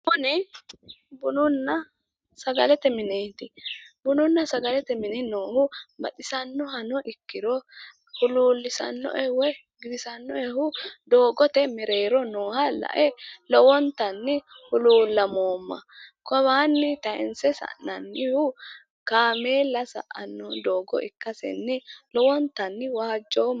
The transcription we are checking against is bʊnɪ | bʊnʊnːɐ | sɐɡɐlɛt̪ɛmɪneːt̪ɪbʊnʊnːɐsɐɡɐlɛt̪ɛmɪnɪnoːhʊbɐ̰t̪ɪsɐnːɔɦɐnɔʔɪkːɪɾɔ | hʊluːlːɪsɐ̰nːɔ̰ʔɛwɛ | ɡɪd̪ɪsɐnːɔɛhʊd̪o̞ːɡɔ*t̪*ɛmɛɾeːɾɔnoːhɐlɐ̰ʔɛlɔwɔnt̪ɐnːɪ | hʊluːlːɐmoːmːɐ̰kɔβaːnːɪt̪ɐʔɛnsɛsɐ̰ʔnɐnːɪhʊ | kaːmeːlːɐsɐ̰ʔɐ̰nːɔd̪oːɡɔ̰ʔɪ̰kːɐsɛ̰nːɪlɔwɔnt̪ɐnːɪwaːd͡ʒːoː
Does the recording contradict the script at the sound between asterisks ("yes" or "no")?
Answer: no